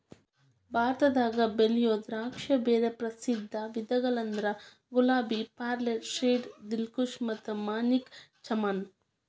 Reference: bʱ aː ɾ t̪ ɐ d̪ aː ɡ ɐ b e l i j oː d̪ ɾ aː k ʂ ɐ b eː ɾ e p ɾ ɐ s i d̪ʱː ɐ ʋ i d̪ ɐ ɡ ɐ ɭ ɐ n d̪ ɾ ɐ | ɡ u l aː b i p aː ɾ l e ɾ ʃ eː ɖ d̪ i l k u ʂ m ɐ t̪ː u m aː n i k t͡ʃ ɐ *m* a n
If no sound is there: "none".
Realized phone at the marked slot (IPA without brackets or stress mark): m